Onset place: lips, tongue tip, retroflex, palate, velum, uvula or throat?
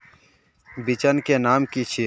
lips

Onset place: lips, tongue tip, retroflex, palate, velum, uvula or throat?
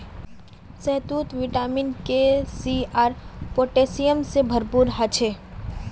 tongue tip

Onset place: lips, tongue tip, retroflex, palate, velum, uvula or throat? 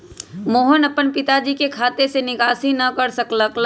lips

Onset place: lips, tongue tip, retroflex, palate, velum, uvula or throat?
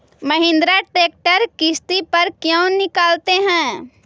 lips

